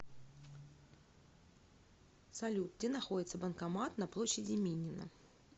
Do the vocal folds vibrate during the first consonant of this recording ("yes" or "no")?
no